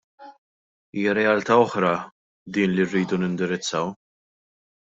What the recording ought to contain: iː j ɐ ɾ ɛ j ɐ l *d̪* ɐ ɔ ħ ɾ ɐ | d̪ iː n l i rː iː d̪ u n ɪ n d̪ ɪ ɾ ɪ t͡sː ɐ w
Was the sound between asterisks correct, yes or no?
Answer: no